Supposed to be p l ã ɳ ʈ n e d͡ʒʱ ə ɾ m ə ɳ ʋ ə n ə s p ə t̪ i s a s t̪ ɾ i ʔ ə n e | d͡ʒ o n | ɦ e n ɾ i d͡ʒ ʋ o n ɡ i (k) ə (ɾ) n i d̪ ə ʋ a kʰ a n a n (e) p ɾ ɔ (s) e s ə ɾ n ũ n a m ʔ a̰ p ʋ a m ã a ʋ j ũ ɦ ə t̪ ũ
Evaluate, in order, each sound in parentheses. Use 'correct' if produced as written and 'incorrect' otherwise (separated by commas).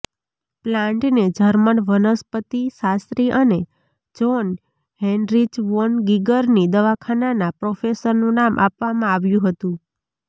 incorrect, correct, incorrect, incorrect